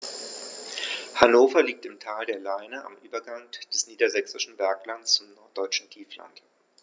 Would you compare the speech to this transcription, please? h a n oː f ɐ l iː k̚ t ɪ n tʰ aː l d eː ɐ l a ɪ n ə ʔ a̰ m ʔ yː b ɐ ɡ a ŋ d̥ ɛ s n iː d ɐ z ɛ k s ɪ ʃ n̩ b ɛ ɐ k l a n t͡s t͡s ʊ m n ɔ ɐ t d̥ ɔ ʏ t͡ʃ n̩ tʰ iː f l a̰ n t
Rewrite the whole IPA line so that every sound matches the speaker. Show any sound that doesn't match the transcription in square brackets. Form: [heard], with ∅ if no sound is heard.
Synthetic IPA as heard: h a n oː f ɐ l iː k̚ t ɪ [m] tʰ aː l d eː ɐ l a ɪ n ə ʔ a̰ m ʔ yː b ɐ ɡ a ŋ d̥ ɛ s n iː d ɐ z ɛ k s ɪ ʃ n̩ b ɛ ɐ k l a n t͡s t͡s ʊ m n ɔ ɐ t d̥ ɔ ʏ t͡ʃ n̩ tʰ iː f l a̰ n t